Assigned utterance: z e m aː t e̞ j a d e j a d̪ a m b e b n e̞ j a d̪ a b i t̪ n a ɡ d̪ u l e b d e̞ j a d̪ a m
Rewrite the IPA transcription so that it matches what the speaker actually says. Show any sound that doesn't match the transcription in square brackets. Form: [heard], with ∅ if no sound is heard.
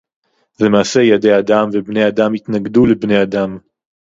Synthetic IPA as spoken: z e m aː [s] e̞ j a d e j a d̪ a m [v] e b n e̞ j a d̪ a [m] i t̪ n a ɡ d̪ u l e b [n] e̞ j a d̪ a m